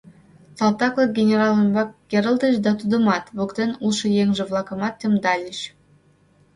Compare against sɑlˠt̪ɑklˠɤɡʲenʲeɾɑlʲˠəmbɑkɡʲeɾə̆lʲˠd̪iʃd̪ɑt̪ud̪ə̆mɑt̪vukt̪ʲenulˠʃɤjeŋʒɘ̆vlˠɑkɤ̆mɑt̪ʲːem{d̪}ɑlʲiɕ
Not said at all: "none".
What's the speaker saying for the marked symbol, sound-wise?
d̪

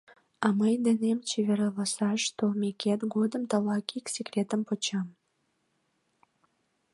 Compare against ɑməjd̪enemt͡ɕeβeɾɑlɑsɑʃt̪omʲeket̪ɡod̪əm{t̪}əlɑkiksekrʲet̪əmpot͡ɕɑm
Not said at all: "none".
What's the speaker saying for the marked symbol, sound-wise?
t̪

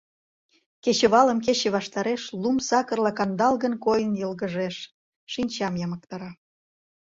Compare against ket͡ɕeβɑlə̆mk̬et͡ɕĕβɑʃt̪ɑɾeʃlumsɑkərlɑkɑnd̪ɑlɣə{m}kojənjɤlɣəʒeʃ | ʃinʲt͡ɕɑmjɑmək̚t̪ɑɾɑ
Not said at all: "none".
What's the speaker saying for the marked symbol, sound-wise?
n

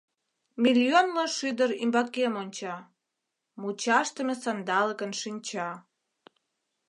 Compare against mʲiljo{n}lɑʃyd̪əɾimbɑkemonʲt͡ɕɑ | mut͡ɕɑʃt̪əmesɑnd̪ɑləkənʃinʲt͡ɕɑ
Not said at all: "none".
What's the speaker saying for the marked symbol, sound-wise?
n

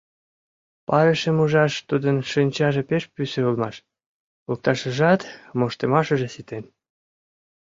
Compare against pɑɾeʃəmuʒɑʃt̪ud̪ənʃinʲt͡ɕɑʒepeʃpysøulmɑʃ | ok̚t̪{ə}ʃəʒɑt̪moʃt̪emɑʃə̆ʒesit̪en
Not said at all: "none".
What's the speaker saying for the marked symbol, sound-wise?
ɑ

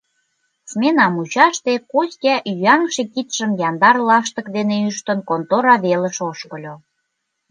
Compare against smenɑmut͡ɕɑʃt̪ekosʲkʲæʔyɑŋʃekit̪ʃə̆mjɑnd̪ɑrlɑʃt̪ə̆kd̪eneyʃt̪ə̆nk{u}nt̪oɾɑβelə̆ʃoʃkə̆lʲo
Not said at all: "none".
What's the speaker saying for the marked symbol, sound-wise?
o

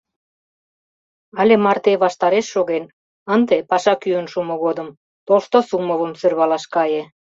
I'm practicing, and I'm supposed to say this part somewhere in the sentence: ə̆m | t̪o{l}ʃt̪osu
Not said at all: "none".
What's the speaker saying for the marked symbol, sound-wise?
l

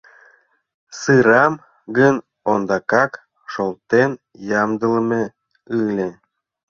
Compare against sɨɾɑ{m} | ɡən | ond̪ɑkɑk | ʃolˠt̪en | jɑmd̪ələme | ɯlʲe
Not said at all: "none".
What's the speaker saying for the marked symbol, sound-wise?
m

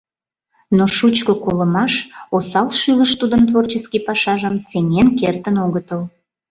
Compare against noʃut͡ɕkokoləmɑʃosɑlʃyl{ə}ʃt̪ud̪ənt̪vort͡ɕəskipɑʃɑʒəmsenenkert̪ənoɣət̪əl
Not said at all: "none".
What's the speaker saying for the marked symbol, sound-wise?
ə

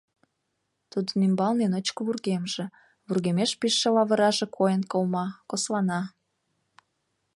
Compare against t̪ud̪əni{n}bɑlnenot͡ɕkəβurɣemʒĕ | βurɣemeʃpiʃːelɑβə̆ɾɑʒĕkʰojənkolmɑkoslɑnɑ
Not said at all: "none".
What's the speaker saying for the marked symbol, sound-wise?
m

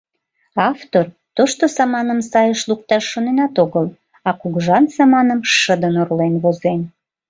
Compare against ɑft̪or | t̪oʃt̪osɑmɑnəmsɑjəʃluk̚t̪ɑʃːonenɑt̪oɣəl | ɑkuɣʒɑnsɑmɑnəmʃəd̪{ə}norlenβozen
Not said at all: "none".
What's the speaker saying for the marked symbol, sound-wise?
ə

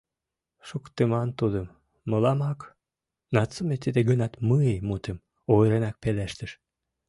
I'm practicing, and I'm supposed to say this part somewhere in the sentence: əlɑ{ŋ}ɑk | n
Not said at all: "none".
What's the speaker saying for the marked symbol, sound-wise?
m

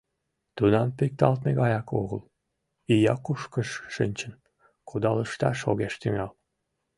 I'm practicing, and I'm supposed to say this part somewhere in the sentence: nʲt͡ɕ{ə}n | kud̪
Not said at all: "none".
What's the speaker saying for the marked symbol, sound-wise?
ə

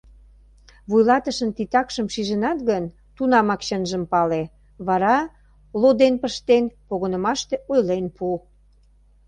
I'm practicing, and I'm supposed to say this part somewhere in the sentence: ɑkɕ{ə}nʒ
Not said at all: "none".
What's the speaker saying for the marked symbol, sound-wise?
ə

